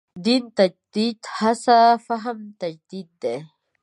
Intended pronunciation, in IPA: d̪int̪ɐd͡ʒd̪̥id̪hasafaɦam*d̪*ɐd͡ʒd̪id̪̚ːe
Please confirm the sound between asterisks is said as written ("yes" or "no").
no